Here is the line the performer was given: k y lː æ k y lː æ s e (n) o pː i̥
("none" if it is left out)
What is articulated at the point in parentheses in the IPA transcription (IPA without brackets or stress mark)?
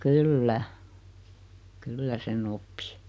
n